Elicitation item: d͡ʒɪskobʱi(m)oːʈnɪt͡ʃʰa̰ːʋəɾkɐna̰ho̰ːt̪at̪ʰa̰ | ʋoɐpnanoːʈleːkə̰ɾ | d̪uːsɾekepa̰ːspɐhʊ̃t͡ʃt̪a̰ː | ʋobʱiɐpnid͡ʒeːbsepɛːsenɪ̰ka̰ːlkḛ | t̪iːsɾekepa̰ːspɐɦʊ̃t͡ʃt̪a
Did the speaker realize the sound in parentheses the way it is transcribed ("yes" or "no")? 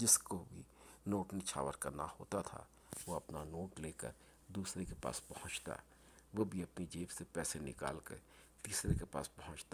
no